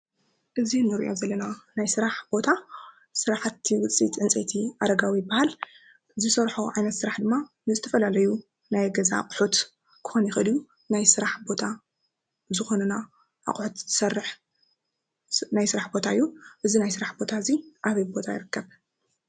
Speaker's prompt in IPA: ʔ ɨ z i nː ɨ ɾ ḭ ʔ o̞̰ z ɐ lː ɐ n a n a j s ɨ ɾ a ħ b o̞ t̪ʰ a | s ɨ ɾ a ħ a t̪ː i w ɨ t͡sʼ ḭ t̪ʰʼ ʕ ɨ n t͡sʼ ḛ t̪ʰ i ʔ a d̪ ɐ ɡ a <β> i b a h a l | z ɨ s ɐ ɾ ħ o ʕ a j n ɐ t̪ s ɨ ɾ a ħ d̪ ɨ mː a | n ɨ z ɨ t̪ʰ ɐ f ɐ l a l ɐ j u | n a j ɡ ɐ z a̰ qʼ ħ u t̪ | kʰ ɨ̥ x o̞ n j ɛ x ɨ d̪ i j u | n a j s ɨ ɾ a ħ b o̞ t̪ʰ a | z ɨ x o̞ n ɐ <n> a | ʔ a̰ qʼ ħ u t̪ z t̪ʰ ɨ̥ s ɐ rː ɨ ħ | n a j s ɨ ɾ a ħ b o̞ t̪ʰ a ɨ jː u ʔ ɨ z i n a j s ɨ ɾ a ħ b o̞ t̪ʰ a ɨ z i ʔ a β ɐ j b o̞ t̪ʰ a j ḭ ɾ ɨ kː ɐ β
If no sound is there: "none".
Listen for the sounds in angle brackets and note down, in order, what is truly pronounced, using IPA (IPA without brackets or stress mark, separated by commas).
w, n